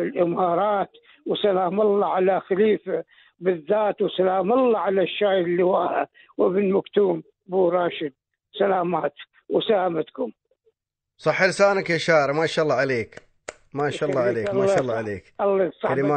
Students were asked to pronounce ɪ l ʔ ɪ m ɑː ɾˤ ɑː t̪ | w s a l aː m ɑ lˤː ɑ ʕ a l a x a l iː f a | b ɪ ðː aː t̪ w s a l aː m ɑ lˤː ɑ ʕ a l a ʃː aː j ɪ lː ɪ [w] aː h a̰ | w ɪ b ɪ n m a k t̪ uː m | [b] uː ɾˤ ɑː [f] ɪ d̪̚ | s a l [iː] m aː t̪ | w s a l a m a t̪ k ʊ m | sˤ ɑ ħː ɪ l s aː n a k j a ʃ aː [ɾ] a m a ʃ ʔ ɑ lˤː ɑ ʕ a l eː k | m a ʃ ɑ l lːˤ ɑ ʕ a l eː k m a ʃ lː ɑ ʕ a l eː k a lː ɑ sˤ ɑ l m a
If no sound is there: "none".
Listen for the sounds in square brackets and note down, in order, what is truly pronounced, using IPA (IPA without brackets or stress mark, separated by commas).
w, b, ʃ, aː, ɾ